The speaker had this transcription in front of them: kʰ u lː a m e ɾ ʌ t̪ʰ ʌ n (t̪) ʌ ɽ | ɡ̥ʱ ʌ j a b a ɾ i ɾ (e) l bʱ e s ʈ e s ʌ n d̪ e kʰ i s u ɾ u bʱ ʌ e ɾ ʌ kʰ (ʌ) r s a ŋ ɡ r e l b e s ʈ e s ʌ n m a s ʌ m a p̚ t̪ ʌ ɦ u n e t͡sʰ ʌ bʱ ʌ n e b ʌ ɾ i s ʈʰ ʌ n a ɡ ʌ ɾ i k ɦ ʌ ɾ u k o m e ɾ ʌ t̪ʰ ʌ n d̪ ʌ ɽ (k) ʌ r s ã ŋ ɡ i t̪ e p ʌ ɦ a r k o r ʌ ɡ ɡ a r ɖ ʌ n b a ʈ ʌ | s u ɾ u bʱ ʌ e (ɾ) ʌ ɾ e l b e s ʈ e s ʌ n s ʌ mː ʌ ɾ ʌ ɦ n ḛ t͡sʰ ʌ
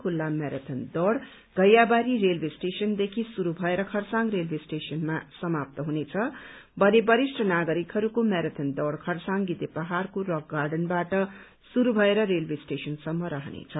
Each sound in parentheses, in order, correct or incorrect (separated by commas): incorrect, correct, correct, incorrect, correct